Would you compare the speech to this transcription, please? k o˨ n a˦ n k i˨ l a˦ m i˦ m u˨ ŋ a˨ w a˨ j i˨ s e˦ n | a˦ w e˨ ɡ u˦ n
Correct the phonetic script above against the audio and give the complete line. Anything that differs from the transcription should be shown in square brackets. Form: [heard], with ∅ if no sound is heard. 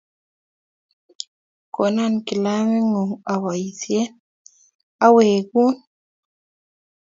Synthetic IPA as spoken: k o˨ n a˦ n k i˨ l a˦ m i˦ [ŋ] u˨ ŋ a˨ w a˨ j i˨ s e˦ n | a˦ w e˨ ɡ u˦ n